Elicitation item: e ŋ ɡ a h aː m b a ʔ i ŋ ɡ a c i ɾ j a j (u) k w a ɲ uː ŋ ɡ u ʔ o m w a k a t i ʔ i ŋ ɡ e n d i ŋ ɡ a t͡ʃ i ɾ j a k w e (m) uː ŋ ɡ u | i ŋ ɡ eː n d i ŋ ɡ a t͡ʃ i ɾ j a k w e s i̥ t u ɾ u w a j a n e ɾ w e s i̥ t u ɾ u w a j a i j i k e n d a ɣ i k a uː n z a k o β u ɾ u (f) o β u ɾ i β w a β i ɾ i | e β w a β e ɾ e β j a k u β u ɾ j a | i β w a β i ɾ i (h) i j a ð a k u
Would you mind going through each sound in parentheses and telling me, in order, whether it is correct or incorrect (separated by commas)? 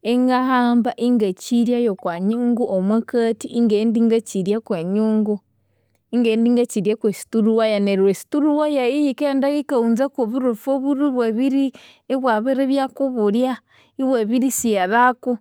incorrect, incorrect, correct, incorrect